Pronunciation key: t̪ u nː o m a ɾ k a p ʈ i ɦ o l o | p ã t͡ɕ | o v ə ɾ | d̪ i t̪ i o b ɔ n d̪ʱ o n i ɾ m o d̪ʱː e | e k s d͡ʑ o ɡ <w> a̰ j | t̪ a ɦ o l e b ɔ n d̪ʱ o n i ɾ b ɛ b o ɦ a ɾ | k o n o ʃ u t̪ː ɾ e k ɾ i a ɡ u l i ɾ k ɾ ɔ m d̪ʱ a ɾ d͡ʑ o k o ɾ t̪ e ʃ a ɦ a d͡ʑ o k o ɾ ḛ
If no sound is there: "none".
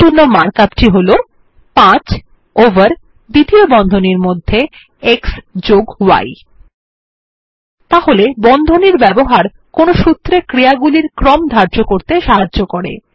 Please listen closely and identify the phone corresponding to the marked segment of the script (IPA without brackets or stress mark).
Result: w